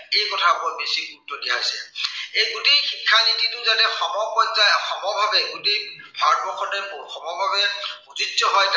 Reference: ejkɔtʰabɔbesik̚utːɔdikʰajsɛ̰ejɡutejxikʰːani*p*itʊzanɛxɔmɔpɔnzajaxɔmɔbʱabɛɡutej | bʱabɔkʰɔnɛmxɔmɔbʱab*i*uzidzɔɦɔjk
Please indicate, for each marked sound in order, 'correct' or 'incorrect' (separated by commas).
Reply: incorrect, incorrect